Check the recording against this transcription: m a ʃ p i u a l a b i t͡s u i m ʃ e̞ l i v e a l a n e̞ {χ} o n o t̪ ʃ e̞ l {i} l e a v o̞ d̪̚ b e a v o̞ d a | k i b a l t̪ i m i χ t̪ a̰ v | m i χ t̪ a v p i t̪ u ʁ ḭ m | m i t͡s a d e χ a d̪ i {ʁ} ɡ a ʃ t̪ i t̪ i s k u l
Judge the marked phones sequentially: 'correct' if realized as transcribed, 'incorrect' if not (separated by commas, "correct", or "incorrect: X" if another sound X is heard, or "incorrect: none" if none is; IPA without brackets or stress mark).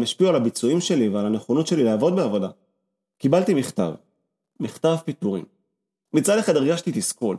correct, correct, correct